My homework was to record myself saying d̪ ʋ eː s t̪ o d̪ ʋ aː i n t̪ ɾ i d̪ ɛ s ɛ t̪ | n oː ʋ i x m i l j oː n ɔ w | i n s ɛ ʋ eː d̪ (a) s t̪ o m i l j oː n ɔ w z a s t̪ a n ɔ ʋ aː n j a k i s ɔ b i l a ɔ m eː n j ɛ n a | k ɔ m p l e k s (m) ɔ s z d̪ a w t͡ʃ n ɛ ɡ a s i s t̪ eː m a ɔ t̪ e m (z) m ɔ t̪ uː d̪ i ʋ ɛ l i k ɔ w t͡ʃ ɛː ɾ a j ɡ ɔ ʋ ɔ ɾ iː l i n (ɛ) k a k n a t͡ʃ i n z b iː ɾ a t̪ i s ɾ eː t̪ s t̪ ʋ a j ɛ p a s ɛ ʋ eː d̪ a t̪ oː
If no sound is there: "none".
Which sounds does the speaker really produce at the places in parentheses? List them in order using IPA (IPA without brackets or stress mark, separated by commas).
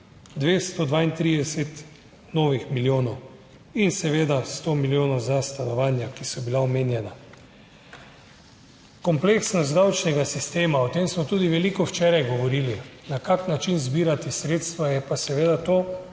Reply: a, n, s, a